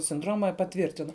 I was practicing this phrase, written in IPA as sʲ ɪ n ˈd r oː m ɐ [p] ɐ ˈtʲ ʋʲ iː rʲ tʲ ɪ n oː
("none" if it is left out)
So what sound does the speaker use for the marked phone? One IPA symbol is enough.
p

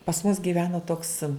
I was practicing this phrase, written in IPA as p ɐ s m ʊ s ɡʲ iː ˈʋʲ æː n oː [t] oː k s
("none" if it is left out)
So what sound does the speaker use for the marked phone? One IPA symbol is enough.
t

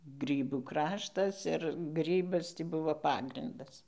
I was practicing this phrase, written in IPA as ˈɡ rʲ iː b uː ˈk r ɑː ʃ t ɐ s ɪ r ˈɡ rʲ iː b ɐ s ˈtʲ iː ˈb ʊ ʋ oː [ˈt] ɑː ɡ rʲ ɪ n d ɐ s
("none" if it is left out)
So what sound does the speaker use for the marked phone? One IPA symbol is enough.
p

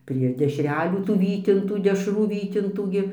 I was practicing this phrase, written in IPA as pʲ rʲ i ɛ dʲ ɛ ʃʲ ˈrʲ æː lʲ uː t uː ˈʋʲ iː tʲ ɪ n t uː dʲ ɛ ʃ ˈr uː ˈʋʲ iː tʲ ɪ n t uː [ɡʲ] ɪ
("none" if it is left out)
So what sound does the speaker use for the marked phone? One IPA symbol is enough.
ɡʲ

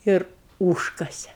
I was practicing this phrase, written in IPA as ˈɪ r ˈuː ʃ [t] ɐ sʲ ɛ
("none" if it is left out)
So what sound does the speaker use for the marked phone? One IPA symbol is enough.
k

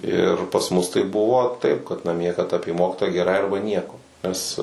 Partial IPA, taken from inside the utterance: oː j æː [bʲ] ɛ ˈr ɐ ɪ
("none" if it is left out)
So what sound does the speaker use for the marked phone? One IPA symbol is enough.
ɡʲ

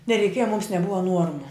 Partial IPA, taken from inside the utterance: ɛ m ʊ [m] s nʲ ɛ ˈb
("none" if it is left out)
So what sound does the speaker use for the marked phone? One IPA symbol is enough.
m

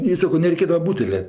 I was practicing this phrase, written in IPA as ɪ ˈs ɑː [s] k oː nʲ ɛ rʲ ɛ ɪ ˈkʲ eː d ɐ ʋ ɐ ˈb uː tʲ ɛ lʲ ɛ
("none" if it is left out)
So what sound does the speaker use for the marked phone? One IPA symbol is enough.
none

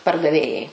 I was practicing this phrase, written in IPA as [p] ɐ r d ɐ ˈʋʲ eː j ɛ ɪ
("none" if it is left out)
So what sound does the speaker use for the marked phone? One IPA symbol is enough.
p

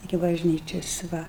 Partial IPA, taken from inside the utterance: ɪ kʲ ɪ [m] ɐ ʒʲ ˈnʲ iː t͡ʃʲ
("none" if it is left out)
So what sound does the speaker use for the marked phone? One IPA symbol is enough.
b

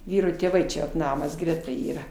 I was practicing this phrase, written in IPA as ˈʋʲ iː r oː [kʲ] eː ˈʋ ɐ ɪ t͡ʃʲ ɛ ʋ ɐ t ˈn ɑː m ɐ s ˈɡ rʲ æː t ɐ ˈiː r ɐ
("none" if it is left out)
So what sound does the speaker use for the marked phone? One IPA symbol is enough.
tʲ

